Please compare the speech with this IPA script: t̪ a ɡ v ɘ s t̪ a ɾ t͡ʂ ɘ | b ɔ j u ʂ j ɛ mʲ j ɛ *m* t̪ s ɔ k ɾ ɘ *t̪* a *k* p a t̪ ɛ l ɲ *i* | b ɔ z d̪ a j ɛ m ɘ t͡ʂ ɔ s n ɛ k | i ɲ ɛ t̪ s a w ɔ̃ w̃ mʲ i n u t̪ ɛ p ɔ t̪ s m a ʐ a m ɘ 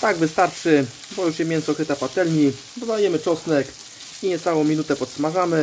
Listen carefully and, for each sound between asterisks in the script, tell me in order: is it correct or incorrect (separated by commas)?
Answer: incorrect, correct, incorrect, correct